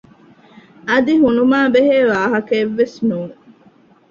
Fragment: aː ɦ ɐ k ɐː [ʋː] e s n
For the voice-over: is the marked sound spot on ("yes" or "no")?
yes